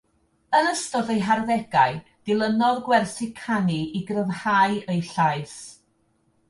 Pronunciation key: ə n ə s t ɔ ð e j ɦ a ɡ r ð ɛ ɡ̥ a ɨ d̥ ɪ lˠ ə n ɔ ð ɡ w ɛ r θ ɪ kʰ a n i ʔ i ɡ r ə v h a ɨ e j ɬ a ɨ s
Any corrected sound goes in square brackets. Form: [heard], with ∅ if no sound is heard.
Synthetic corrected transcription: ə n ə s t ɔ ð e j ɦ a [∅] r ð ɛ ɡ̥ a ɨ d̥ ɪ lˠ ə n ɔ ð ɡ w ɛ r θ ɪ kʰ a n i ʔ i ɡ r ə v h a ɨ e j ɬ a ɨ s